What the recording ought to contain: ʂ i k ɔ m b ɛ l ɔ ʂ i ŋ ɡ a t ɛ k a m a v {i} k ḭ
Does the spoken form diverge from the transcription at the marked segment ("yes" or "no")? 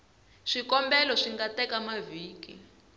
yes